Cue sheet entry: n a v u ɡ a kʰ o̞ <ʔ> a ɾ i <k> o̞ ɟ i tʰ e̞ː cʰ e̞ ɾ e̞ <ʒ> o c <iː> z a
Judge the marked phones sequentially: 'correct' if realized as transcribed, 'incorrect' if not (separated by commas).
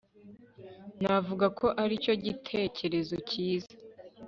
correct, incorrect, incorrect, correct